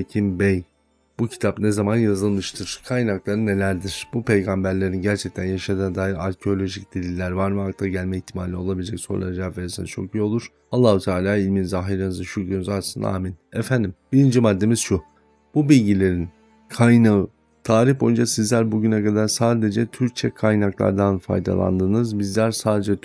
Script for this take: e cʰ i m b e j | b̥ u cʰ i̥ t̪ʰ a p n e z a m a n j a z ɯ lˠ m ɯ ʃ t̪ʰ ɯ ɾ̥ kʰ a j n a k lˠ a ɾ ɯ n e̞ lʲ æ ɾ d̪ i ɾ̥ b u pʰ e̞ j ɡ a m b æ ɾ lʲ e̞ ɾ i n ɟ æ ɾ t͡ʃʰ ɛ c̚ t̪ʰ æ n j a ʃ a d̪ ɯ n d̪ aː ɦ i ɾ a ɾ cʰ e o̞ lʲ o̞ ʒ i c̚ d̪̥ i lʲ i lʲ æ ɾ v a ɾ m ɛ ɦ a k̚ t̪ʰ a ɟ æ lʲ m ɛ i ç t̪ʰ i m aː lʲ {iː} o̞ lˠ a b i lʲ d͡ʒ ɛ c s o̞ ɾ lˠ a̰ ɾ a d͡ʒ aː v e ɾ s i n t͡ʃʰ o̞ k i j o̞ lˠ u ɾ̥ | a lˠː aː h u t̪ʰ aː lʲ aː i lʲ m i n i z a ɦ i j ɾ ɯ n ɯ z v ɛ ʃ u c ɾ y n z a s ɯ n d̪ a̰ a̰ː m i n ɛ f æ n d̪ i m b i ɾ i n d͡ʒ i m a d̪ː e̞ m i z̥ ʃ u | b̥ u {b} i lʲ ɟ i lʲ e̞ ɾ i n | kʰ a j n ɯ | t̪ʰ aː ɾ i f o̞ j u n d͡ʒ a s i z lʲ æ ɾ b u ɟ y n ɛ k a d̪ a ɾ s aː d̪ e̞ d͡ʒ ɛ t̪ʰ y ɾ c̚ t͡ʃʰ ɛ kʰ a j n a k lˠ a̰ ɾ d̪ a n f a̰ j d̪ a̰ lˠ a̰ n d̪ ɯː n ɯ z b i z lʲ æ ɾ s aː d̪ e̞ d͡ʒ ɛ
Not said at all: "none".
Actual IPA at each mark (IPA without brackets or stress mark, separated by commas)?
i, b